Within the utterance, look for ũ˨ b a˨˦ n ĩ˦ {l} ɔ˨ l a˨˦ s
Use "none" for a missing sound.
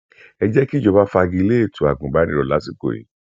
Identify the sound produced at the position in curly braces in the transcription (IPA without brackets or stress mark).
ɾ